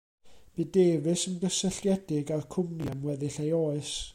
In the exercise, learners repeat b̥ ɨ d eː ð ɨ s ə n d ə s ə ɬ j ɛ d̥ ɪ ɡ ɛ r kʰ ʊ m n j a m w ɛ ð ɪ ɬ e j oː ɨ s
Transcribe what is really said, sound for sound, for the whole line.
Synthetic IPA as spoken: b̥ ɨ d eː v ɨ s ə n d ə s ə ɬ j ɛ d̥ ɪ ɡ a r kʰ ʊ m n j a m w ɛ ð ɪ ɬ e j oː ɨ s

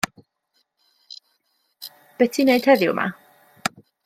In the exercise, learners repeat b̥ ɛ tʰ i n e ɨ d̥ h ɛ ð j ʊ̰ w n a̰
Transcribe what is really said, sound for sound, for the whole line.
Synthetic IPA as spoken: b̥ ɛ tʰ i n e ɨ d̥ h ɛ ð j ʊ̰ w m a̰

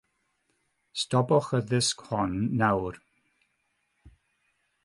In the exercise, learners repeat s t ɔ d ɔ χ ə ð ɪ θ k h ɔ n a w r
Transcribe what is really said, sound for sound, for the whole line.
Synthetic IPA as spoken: s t ɔ b ɔ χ ə ð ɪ s k h ɔ nː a w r

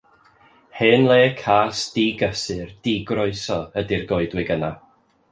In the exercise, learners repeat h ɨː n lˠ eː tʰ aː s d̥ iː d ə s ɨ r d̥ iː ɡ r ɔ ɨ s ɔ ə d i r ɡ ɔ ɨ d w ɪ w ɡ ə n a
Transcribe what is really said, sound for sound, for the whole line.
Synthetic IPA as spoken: h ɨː n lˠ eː kʰ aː s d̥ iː ɡ ə s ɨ r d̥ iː ɡ r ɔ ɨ s ɔ ə d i r ɡ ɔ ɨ d w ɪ ɡ ə n a

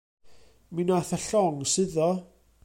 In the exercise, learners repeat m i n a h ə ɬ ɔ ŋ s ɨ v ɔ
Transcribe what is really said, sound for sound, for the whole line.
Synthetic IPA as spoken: m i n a θ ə ɬ ɔ ŋ s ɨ ð ɔ

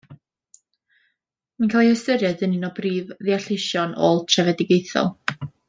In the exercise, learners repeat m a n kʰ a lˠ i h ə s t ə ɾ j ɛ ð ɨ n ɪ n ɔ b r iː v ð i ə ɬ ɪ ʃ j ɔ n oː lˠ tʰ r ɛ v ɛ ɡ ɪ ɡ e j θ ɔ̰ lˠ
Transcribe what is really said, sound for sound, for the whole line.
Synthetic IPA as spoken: m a n kʰ a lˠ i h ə s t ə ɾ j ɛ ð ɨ n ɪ n ɔ b r iː v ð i a ɬ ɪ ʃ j ɔ n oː lˠ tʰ r ɛ v ɛ d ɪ ɡ e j θ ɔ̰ lˠ

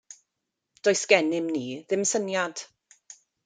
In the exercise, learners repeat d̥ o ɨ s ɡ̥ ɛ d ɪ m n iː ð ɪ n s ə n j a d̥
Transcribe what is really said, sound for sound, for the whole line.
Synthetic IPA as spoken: d̥ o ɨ s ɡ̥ ɛ n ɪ m n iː ð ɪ m s ə n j a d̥

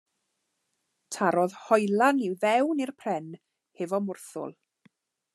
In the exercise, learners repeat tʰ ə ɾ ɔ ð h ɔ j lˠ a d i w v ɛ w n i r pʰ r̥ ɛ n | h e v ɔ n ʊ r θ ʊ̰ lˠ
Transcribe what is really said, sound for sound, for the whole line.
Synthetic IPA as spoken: tʰ a ɾ ɔ ð h ɔ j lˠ a n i w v ɛ w n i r pʰ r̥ ɛ n | h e v ɔ m ʊ r θ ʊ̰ lˠ

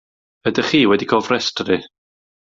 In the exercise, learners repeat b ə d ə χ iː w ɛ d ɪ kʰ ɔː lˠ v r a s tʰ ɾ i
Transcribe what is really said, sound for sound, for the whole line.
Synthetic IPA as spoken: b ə d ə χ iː w ɛ d i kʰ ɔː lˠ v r ɛ s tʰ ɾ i

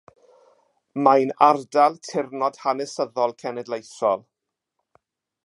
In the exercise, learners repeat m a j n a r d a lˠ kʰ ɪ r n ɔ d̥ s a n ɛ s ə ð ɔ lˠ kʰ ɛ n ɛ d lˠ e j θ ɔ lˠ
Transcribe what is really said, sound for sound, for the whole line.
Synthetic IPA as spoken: m a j n a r d a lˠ tʰ ɪ r n ɔ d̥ h a n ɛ s ə ð ɔ lˠ kʰ ɛ n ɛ d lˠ e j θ ɔ lˠ

